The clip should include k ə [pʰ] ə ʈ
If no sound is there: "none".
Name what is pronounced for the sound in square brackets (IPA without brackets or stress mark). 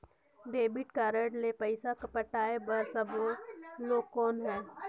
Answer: p